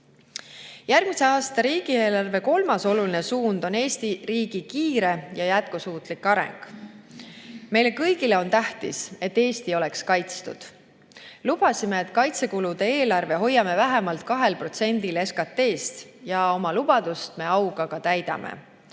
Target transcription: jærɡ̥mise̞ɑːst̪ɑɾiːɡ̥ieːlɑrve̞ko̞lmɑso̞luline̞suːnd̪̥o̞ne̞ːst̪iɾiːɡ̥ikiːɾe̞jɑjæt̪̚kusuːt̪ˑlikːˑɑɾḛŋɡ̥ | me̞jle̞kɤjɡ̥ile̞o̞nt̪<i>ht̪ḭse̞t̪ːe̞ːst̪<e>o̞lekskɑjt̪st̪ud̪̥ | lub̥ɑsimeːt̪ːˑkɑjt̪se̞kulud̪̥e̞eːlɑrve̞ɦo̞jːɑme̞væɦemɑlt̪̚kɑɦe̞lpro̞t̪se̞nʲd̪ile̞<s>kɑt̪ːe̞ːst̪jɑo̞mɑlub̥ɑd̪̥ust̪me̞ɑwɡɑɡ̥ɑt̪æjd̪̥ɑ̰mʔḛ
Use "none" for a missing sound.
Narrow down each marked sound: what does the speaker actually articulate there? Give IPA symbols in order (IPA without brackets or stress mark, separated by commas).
æ, i, s